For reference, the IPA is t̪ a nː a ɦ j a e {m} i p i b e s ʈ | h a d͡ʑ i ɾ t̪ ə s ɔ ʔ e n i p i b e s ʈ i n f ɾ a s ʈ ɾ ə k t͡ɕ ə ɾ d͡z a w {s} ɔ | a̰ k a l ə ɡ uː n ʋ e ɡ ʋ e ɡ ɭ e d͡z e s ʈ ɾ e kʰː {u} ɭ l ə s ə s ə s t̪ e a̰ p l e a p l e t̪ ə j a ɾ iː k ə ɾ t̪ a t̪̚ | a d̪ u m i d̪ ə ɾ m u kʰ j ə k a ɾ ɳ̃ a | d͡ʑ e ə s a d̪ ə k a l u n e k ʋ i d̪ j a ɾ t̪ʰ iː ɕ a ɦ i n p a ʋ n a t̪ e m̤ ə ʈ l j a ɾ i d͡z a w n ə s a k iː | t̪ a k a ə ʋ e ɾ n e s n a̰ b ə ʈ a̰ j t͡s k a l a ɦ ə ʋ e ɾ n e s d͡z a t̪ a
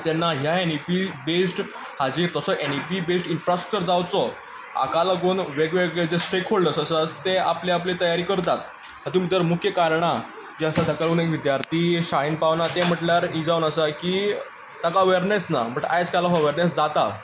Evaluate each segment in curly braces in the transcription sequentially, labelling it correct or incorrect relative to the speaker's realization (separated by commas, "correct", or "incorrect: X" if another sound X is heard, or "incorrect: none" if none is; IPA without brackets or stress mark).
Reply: incorrect: n, incorrect: t͡s, incorrect: o